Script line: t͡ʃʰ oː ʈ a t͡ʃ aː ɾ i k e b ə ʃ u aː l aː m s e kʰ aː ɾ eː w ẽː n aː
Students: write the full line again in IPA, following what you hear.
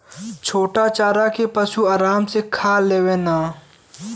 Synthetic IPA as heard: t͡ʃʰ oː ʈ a t͡ʃ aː ɾ a k e p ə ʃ u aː ɾ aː m s e kʰ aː l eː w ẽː n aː